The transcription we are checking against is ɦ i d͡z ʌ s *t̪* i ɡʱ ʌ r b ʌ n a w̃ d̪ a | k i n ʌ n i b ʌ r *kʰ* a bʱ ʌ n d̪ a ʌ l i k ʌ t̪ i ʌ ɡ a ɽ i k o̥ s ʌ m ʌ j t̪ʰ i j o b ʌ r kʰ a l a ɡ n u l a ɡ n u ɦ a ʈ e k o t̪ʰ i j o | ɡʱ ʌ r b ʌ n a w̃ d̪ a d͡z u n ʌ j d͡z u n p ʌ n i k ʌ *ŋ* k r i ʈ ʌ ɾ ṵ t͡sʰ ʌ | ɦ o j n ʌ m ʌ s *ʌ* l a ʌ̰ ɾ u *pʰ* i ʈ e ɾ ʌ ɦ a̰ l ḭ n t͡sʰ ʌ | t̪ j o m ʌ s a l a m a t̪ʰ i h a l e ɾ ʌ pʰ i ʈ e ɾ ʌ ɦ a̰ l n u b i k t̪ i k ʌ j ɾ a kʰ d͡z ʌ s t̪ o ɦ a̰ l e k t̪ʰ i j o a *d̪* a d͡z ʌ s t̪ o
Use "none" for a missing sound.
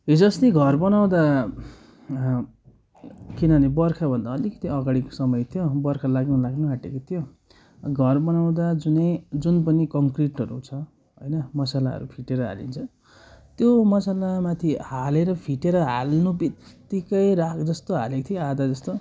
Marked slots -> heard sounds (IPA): t̪, kʰ, ŋ, a, pʰ, d̪

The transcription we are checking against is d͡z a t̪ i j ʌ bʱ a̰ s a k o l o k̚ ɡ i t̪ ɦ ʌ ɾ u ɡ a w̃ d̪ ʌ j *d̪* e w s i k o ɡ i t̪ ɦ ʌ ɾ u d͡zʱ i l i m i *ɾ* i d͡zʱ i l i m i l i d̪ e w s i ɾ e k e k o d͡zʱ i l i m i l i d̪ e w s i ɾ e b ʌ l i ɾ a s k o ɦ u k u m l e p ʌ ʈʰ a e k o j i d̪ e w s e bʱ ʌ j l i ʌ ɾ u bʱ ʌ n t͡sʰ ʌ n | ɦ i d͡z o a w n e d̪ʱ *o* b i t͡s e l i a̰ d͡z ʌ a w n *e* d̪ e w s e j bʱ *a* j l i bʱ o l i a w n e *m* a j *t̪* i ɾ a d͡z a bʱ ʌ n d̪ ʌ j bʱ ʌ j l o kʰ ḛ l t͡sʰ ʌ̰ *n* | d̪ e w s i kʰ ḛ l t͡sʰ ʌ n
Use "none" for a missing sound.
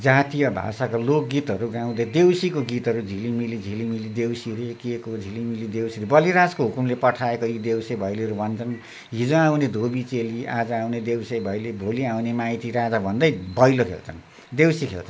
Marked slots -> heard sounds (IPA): d̪, l, o, e, ʌ, m, t̪, n

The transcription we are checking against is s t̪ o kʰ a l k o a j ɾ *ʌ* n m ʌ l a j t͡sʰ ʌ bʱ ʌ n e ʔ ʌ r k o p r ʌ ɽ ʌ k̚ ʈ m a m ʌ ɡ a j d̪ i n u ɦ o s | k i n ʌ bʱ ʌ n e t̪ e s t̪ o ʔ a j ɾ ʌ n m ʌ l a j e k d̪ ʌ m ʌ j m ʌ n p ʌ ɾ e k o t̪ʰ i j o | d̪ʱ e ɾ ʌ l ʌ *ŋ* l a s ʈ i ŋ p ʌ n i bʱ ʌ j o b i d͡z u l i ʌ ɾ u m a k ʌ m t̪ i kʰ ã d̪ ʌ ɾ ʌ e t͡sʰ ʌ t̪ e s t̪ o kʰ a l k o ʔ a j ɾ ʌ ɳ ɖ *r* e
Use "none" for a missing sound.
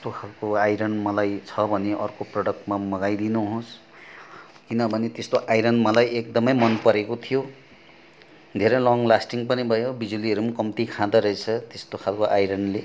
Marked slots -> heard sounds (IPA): ʌ, ŋ, l

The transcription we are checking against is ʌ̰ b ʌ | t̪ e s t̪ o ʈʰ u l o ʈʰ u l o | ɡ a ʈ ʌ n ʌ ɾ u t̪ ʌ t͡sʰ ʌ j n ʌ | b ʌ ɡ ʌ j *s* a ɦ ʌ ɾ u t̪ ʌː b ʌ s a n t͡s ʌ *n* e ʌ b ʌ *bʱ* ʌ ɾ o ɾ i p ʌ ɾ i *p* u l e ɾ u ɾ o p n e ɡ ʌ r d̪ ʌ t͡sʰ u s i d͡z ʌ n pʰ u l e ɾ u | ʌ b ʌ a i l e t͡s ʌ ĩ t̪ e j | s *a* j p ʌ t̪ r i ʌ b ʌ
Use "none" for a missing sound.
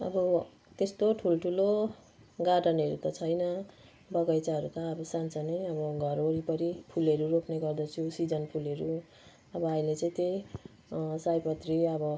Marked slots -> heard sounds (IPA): t͡s, n, ɡʱ, pʰ, a

